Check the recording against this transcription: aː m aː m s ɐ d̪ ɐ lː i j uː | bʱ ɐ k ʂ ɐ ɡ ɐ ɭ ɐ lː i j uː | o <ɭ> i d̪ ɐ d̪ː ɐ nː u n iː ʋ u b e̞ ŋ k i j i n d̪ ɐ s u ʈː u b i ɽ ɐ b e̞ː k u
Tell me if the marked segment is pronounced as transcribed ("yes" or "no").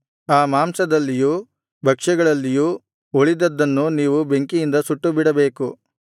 yes